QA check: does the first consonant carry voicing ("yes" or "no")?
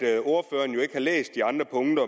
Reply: no